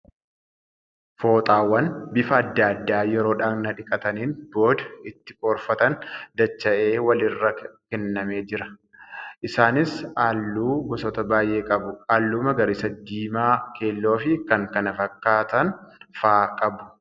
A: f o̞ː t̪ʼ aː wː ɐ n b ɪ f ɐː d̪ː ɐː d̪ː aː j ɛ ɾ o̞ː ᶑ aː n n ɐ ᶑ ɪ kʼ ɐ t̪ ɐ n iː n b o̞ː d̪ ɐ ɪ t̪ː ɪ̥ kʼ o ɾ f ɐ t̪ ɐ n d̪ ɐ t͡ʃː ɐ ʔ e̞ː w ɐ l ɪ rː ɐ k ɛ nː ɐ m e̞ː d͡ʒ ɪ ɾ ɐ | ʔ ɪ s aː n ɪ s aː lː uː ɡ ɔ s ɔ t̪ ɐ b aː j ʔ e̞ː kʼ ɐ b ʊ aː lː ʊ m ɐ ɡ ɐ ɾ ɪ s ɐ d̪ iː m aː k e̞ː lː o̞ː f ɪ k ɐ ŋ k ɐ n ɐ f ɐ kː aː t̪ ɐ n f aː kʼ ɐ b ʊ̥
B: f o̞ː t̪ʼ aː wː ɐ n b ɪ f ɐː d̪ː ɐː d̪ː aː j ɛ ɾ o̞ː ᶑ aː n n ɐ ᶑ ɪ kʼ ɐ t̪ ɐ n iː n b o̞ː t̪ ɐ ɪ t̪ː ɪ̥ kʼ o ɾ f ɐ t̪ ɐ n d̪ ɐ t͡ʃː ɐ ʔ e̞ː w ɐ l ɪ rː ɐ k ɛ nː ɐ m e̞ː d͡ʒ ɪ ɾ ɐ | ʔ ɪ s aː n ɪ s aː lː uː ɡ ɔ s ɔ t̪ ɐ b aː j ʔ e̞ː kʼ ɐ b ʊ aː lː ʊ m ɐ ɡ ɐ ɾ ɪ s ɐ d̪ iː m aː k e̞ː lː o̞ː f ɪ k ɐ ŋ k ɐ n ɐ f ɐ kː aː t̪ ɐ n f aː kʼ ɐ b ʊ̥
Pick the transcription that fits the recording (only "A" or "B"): A